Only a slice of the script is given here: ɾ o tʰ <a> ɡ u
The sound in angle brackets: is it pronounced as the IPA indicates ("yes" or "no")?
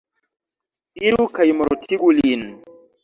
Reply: no